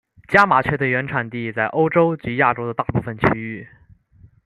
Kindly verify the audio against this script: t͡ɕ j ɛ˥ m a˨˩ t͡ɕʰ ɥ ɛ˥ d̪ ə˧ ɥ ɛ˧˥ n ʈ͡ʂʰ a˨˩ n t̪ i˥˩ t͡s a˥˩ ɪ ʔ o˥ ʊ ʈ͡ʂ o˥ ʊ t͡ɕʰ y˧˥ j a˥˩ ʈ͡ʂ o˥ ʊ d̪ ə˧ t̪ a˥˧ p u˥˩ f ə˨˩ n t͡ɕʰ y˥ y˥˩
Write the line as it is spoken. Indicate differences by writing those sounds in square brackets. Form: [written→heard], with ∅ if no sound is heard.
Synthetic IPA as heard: t͡ɕ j [ɛ˥→a˥] m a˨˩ t͡ɕʰ ɥ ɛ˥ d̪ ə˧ ɥ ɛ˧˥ n ʈ͡ʂʰ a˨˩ n t̪ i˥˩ t͡s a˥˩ ɪ ʔ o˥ ʊ ʈ͡ʂ o˥ ʊ [t͡ɕʰ→t͡ɕ] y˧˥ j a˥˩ ʈ͡ʂ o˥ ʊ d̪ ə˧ t̪ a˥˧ p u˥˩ f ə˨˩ n t͡ɕʰ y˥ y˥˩